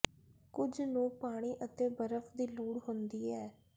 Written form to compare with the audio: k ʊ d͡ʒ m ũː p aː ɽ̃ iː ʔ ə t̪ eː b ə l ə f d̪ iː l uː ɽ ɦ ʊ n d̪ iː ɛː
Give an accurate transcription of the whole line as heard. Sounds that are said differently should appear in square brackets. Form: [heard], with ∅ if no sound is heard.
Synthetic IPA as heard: k ʊ d͡ʒ [n] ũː p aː ɽ̃ iː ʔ ə t̪ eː b ə [ɾ] ə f d̪ iː l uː ɽ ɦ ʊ n d̪ iː ɛː